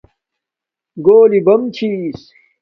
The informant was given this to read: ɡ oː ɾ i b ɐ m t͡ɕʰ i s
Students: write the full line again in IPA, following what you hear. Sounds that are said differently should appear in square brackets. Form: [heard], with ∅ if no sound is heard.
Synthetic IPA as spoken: ɡ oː [l] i b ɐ m t͡ɕʰ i s